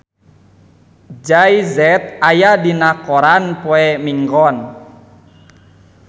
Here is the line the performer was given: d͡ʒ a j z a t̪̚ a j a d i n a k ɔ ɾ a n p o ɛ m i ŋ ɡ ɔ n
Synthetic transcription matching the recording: d͡ʒ a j z ɛ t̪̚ a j a d i n a k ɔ ɾ a n p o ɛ m i ŋ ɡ ɔ n